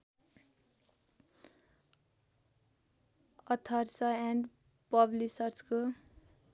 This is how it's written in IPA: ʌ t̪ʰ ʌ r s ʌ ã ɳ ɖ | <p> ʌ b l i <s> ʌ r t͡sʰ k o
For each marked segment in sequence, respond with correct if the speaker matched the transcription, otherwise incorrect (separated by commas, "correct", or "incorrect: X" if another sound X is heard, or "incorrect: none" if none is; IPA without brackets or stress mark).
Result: correct, correct